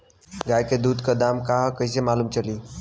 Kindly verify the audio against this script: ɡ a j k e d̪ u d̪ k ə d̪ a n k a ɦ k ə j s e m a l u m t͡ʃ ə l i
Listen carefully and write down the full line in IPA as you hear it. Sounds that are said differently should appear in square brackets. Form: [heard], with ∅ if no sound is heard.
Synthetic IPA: ɡ a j k e d̪ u d̪ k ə d̪ a [m] k a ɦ k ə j s e m a l u m t͡ʃ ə l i

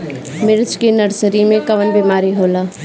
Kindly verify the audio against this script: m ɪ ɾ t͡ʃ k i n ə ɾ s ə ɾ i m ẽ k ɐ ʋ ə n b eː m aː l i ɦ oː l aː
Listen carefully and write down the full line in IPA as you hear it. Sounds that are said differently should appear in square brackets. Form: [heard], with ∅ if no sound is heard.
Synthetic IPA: m ɪ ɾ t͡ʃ k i n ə ɾ s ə ɾ i m ẽ k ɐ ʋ ə n b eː m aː [ɾ] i ɦ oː l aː

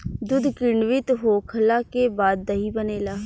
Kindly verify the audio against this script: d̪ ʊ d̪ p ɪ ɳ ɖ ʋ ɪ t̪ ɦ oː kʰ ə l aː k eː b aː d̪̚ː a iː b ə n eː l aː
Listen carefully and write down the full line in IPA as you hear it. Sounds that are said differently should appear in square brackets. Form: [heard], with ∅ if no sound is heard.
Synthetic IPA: d̪ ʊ d̪ [k] ɪ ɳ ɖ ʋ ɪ t̪ ɦ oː kʰ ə l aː k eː b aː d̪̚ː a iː b ə n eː l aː

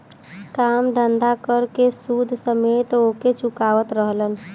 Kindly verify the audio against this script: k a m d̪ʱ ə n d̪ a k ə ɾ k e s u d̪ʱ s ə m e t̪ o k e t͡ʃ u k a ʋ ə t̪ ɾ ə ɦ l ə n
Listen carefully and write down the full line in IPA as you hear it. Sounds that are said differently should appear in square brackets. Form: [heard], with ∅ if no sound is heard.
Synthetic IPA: k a m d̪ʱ ə n d̪ a k ə ɾ k e s u d̪ʱ s ə m e t̪ o k e t͡ʃ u k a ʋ ə t̪ ɾ ə ɦ l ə n

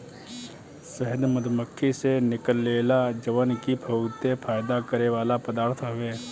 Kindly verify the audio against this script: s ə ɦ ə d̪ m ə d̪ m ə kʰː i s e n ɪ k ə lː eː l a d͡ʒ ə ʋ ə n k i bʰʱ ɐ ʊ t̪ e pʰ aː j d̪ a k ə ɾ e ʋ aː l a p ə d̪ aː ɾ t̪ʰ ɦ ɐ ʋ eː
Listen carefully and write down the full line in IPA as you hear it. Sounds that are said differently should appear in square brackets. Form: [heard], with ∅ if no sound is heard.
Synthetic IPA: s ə ɦ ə d̪ m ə d̪ m ə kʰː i s e n ɪ k ə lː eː l a d͡ʒ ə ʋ ə n k i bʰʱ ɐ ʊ t̪ e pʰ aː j d̪ a k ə ɾ e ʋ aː l a p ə d̪ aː ɾ t̪ʰ ɦ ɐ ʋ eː

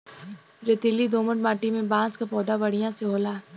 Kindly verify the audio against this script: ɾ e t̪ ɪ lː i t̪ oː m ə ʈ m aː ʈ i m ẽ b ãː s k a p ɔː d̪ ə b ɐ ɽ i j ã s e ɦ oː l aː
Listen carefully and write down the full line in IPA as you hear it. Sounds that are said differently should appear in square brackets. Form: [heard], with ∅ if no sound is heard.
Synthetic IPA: ɾ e t̪ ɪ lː i [d̪] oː m ə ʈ m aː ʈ i m ẽ b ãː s k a p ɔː d̪ [a] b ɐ ɽ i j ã s e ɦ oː l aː

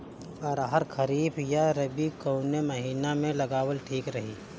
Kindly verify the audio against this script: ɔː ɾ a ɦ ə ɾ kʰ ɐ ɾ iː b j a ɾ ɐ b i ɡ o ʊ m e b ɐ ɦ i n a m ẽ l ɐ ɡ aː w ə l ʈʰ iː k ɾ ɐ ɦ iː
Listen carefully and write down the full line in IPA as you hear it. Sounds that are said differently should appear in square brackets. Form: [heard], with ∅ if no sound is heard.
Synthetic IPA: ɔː ɾ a ɦ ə ɾ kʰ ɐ ɾ iː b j a ɾ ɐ b i [k] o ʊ [n] e [m] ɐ ɦ [iː] n a m ẽ l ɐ ɡ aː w ə l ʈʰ iː k ɾ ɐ ɦ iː

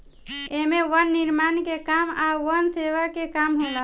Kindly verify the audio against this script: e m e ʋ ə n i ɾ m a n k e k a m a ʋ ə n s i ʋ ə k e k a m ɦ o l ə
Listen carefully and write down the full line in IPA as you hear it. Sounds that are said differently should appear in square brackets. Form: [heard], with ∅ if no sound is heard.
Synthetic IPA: e m e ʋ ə [nː] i ɾ m a n k e k a m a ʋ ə n s [e] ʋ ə k e k a m ɦ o l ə

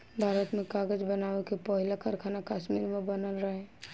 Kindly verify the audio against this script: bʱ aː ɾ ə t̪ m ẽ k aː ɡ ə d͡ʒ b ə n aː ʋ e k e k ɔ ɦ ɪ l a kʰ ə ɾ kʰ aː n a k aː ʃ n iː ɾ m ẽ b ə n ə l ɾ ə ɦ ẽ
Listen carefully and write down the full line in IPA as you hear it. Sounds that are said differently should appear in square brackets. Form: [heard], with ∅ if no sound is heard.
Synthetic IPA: bʱ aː ɾ ə t̪ m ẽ k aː ɡ ə d͡ʒ b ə n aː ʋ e k e [p] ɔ ɦ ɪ l a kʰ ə ɾ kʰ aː n a k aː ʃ [m] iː ɾ m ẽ b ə n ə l ɾ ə ɦ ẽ

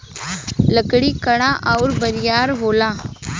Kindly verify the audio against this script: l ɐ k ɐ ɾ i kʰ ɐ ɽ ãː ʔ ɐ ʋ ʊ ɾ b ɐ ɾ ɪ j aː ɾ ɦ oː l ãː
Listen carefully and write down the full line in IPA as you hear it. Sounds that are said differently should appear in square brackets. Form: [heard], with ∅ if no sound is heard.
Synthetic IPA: l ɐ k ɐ [ɽ] i [k] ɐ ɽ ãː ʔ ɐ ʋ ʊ ɾ b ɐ ɾ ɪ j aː ɾ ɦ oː l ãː

